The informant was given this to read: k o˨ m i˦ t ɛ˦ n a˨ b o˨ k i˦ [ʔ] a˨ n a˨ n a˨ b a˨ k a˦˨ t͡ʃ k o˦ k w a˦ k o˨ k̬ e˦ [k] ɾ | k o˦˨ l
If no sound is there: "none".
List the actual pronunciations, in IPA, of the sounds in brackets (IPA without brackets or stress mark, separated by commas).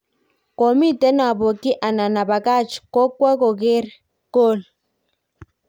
ʔ, none